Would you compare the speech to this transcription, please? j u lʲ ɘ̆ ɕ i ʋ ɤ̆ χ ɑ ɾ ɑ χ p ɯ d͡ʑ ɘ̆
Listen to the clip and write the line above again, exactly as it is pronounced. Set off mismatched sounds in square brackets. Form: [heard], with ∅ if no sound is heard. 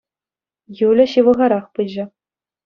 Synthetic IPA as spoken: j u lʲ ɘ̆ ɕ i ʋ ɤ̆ [ʁ] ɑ ɾ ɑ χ p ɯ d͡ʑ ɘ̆